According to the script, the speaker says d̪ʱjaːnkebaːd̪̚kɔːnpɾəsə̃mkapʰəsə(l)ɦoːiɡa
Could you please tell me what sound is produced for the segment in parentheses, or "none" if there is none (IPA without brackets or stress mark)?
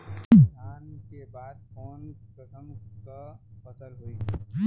l